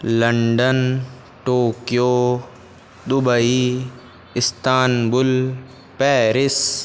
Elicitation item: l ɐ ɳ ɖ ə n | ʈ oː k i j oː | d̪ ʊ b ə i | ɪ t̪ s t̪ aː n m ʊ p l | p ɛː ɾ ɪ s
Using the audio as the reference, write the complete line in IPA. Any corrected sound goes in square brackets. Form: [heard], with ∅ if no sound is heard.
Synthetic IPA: l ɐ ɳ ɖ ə n | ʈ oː k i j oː | d̪ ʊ b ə i | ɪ [∅] s t̪ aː n [b] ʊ [∅] l | p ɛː ɾ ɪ s